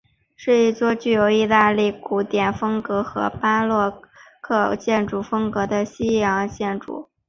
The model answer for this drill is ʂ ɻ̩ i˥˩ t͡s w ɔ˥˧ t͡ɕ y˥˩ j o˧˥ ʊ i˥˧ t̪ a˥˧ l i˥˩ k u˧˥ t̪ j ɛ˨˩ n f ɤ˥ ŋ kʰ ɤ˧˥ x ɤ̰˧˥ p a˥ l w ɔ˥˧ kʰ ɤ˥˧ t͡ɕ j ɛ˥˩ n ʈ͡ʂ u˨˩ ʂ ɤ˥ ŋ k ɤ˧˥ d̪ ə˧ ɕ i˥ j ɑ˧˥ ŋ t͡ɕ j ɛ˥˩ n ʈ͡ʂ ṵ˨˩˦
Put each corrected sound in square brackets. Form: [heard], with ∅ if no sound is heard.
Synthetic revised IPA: ʂ ɻ̩ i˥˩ t͡s w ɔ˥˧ t͡ɕ y˥˩ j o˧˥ ʊ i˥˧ t̪ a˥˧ l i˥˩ k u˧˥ t̪ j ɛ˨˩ n f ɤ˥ ŋ [k] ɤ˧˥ x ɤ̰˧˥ p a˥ l w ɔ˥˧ kʰ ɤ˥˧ t͡ɕ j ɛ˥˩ n ʈ͡ʂ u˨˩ [f] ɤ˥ ŋ k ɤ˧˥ d̪ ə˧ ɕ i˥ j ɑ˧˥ ŋ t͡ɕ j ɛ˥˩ n ʈ͡ʂ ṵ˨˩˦